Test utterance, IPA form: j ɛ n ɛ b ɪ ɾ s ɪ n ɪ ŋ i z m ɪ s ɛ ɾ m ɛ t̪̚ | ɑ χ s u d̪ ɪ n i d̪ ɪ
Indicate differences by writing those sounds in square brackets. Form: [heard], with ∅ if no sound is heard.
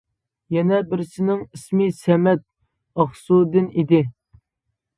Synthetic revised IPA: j ɛ n ɛ b ɪ ɾ s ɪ n ɪ ŋ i [s] m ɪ s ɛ [∅] m ɛ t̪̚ | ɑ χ s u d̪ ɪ n i d̪ ɪ